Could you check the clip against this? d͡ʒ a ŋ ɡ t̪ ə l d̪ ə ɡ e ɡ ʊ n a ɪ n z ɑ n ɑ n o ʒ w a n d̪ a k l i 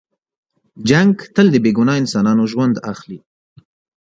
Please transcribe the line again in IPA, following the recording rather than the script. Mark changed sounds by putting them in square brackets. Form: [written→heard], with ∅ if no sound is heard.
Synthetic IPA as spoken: d͡ʒ a ŋ ɡ t̪ ə l d̪ ə [ɡ→b] e ɡ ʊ n [a→ɑ] ɪ n [z→s] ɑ n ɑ n o ʒ w a n d̪ a [k→x] l i